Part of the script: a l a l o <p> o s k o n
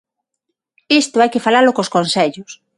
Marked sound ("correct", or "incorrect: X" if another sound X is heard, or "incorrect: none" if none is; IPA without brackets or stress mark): incorrect: k